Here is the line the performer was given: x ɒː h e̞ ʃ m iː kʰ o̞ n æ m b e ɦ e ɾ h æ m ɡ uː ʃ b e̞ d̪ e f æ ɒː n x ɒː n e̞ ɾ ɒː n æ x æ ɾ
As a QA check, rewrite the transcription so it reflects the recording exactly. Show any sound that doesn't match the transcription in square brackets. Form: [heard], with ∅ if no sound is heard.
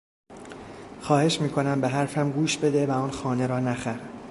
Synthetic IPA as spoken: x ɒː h e̞ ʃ m iː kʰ o̞ n æ m b e ɦ [æ] ɾ [f] æ m ɡ uː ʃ b e̞ d̪ e [v] æ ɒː n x ɒː n e̞ ɾ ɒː n æ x æ ɾ